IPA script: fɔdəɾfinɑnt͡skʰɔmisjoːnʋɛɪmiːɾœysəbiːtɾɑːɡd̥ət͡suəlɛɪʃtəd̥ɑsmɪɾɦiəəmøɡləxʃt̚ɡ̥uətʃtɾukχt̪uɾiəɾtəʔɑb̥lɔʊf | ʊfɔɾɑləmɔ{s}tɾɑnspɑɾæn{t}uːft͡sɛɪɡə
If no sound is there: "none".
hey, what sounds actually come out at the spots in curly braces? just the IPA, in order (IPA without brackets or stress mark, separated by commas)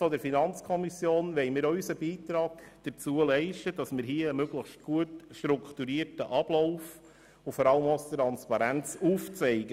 s, t͡s